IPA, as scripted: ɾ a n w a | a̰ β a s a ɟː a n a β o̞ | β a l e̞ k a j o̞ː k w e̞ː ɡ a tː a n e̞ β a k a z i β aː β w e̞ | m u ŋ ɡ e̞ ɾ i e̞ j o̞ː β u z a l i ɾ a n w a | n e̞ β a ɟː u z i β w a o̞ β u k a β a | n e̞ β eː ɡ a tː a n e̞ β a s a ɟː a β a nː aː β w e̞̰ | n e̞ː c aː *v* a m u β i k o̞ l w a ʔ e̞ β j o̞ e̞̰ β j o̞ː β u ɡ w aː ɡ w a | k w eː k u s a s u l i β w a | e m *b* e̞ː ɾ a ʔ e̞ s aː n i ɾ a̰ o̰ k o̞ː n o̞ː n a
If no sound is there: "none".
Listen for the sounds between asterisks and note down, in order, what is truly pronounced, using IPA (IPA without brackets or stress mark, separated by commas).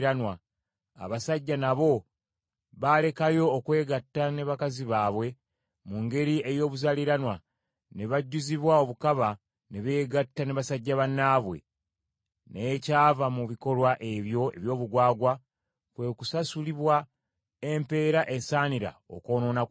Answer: v, p